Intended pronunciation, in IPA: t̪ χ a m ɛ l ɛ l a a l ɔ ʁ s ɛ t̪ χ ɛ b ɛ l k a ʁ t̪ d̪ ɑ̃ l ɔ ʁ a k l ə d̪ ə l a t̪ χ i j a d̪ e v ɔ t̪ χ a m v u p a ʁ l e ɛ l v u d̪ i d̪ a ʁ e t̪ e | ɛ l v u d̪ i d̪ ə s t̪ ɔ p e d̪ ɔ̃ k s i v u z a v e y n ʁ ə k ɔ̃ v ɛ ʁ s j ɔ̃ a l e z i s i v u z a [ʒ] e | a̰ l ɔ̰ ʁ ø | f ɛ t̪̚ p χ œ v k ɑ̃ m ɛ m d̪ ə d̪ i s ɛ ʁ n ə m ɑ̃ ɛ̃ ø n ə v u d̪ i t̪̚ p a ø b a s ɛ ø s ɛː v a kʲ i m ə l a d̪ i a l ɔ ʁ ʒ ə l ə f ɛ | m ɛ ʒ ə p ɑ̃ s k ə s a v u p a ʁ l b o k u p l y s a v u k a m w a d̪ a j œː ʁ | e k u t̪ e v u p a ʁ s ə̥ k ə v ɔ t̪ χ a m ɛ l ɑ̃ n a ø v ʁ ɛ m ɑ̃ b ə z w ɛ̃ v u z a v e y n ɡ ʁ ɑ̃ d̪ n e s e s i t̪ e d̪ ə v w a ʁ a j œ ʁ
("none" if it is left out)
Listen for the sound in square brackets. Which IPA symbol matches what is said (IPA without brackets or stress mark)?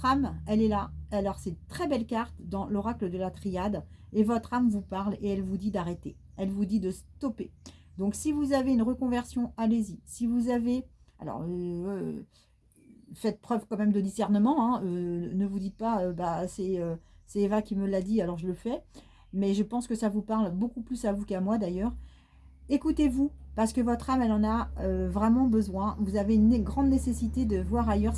v